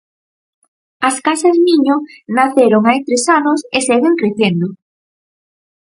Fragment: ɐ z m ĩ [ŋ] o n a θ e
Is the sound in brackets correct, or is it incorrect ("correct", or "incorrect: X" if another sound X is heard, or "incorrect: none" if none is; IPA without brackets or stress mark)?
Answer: incorrect: ɲ